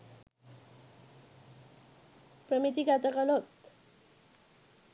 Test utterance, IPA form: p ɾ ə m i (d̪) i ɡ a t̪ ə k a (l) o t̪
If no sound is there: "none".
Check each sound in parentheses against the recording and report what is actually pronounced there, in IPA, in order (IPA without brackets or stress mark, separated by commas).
t̪, l